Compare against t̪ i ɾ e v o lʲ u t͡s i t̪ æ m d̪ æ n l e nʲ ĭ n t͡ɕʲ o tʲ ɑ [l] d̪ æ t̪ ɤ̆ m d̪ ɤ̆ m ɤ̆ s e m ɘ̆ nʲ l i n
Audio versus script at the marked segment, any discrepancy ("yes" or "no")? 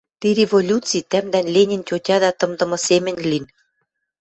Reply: yes